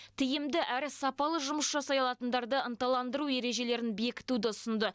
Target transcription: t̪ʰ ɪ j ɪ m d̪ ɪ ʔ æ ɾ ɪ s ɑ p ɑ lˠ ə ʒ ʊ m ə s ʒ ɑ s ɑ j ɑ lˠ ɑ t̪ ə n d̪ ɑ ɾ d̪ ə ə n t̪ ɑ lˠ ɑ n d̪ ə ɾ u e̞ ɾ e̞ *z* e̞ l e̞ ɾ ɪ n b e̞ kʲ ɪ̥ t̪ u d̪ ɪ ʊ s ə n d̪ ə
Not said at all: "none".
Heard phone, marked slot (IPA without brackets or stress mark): ʒ